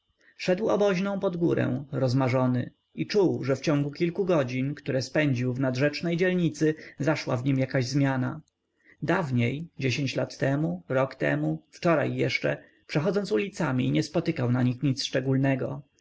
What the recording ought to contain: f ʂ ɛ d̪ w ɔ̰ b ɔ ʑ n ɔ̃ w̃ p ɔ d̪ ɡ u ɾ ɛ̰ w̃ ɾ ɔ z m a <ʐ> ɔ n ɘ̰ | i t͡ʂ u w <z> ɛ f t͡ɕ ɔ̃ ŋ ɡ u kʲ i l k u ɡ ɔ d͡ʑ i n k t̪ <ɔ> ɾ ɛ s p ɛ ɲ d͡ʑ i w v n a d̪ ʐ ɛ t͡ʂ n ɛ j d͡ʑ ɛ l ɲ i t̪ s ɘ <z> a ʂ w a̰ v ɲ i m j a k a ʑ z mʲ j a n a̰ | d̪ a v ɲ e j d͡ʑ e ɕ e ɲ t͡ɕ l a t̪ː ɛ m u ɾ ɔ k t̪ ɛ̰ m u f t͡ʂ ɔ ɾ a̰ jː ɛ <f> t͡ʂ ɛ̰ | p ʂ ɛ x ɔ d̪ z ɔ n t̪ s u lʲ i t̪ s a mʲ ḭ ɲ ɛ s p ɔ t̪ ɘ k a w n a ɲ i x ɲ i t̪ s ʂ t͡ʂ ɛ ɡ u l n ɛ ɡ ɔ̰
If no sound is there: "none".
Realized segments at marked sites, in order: ʐ, ʐ, u, z, ʂ

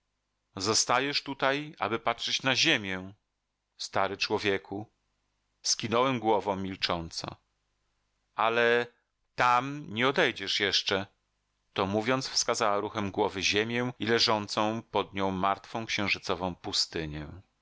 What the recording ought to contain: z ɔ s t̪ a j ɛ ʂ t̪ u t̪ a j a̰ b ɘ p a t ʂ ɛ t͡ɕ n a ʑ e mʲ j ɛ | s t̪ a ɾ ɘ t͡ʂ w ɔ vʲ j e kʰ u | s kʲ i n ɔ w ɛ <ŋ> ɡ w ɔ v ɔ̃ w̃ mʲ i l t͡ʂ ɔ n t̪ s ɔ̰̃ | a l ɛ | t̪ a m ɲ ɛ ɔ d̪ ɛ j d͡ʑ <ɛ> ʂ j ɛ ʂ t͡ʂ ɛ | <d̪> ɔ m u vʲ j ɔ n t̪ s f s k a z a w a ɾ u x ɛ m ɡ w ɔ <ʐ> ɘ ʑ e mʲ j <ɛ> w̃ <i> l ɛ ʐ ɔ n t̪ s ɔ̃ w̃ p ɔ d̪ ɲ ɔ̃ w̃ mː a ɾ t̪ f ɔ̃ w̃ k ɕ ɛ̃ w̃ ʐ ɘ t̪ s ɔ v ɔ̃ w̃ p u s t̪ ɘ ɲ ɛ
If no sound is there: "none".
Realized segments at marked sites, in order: m, ɛ, t̪, v, ɛ, i

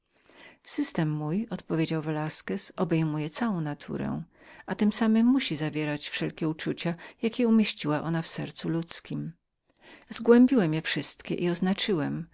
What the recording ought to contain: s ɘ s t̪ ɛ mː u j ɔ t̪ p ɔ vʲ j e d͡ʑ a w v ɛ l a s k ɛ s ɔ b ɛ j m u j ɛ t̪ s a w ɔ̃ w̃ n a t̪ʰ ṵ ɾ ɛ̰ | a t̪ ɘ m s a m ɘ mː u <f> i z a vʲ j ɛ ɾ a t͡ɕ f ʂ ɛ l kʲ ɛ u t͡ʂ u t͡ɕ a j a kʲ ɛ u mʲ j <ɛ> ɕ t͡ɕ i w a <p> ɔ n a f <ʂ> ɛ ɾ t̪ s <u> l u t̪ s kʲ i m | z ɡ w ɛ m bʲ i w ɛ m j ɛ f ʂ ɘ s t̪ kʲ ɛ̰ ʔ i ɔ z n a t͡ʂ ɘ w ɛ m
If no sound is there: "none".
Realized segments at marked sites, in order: ɕ, e, ʔ, s, u

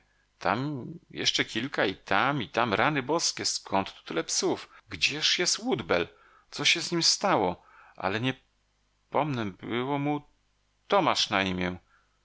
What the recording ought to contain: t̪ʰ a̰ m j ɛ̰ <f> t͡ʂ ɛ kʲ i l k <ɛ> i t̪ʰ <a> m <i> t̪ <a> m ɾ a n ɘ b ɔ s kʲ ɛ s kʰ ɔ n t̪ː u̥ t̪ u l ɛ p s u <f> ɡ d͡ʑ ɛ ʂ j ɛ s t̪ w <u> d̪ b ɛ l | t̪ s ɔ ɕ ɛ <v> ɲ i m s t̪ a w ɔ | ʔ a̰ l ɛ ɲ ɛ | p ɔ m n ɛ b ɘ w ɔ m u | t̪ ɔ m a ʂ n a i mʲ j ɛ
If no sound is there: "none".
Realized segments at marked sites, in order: ʂ, a, a, i, a, f, u, z

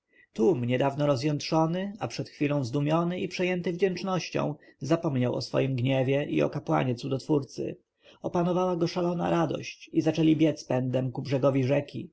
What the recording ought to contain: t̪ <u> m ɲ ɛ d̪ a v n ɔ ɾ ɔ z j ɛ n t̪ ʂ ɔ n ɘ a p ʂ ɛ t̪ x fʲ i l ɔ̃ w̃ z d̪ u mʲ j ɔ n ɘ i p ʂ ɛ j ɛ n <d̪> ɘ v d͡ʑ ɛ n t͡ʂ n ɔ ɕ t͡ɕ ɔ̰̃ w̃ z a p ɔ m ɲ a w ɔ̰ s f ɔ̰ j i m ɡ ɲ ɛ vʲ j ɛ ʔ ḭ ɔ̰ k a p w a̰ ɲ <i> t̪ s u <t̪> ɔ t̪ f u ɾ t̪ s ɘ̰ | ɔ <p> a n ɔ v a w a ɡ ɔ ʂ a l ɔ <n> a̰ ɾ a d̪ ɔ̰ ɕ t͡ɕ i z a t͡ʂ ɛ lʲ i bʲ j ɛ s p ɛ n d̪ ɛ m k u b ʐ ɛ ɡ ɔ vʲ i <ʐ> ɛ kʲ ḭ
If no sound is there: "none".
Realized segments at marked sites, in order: u, t̪, ɛ, d̪, p, n, ʐ

